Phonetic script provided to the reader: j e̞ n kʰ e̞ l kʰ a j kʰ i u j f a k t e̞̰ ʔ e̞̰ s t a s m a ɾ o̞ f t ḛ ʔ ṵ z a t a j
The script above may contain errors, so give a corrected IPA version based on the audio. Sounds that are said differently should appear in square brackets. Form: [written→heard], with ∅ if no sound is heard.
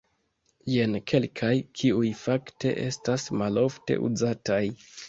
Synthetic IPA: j e̞ n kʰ e̞ l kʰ a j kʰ i u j f a k t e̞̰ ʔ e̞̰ s t a s m a [ɾ→l] o̞ f t ḛ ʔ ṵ z a t a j